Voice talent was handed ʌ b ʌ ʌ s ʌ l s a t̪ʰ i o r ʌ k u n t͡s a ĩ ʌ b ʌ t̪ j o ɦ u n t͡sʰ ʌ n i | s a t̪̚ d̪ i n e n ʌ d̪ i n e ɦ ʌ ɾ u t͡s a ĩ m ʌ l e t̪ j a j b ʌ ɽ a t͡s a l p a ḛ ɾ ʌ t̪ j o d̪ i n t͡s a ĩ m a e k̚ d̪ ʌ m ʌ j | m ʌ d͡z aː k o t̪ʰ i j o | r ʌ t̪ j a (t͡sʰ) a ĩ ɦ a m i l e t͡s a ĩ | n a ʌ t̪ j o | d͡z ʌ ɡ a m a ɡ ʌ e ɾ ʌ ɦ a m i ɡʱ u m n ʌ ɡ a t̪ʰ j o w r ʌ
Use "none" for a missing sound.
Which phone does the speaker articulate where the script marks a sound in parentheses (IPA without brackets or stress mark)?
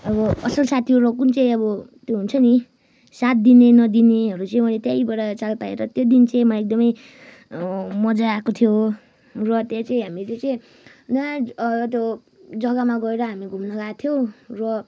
t͡s